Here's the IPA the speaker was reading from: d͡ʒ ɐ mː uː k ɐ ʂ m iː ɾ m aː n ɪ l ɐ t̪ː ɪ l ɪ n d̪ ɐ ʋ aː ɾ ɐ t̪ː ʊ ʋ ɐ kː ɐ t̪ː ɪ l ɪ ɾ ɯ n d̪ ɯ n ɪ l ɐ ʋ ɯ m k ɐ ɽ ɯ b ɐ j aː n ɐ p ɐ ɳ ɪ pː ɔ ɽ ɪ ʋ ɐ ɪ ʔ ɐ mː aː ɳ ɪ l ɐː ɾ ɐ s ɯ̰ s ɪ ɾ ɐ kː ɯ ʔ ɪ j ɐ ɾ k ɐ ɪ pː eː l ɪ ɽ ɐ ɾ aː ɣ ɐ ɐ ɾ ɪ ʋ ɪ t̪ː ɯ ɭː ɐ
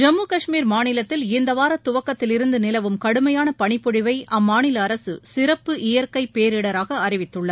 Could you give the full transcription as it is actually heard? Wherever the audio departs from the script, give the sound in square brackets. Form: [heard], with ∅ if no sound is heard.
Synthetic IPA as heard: d͡ʒ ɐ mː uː k ɐ ʂ m iː ɾ m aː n ɪ l ɐ t̪ː ɪ l ɪ n d̪ ɐ ʋ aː ɾ ɐ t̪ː ʊ ʋ ɐ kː ɐ t̪ː ɪ l ɪ ɾ ɯ n d̪ ɯ n ɪ l ɐ ʋ ɯ m k ɐ ɽ ɯ [m] ɐ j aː n ɐ p ɐ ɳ ɪ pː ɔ ɽ ɪ ʋ ɐ ɪ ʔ ɐ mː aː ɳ ɪ l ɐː ɾ ɐ s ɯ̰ s ɪ ɾ ɐ [pː] ɯ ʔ ɪ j ɐ ɾ k ɐ ɪ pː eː [ɾ] ɪ ɽ ɐ ɾ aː ɣ ɐ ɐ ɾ ɪ ʋ ɪ t̪ː ɯ ɭː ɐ